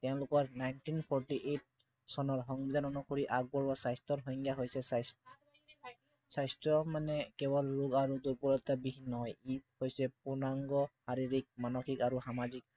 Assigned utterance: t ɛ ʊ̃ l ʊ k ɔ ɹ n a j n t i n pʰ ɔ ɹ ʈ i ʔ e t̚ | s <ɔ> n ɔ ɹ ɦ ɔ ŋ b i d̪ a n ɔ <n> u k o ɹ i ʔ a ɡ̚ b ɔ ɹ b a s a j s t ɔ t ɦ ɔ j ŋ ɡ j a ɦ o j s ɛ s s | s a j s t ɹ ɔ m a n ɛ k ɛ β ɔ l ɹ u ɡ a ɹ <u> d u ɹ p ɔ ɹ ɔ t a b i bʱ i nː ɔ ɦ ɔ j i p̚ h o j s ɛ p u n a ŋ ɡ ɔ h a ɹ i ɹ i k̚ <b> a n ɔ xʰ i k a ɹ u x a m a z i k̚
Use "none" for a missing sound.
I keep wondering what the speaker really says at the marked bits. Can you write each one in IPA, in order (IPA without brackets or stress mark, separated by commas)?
ɔ, n, u, m